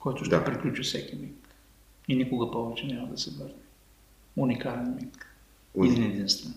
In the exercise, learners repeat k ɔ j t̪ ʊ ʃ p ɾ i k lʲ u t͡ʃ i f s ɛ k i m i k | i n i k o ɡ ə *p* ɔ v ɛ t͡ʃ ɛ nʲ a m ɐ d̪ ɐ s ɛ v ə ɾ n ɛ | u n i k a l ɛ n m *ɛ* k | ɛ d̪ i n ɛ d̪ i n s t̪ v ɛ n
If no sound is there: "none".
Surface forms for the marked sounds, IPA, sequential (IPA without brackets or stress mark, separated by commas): p, i